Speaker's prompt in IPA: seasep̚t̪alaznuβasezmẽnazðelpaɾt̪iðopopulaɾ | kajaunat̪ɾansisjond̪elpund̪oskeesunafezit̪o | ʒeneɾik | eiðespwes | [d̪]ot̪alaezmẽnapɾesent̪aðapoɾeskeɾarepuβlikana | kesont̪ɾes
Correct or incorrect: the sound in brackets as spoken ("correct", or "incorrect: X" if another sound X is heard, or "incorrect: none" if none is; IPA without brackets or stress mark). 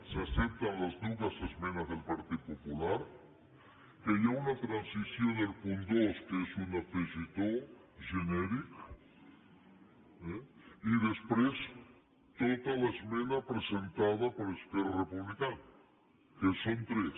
incorrect: t̪